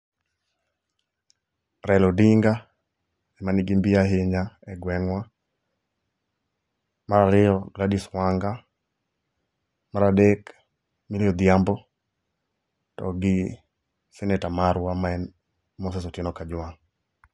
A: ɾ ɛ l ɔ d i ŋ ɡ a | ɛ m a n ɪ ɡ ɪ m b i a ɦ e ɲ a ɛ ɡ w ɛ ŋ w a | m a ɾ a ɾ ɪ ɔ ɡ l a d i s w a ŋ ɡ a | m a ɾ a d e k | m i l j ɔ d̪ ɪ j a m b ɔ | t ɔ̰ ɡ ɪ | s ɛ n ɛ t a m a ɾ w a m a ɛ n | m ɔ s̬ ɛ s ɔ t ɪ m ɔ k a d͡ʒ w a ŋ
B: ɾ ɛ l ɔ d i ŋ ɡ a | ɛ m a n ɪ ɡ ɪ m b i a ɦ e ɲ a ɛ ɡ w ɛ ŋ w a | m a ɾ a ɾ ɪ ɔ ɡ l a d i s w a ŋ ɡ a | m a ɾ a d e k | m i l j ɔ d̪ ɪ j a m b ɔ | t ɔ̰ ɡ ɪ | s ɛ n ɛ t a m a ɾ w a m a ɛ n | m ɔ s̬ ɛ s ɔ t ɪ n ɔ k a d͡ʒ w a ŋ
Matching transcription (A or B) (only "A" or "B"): B